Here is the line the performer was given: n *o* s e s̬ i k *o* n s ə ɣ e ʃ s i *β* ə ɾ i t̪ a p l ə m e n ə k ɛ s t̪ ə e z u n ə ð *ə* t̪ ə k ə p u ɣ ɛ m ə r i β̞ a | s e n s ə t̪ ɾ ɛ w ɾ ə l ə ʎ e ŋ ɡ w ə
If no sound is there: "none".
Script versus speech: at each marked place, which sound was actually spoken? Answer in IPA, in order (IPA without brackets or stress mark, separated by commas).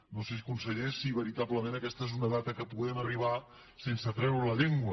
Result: o, u, β, a